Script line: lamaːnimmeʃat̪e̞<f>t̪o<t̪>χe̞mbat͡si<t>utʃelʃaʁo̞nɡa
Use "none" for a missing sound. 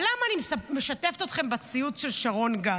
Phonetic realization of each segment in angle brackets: f, t̪, none

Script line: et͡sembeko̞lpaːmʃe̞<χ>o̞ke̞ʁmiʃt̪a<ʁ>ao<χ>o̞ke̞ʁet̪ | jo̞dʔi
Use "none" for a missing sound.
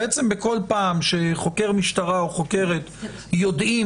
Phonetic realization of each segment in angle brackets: χ, ʁ, χ

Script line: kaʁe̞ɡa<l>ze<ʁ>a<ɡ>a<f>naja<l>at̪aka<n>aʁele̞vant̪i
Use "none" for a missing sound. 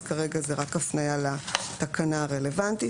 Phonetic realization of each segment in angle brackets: none, ʁ, k, f, l, n

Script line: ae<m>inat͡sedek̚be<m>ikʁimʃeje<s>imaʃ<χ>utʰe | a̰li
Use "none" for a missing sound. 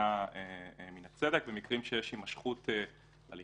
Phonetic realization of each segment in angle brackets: m, m, ʃ, χ

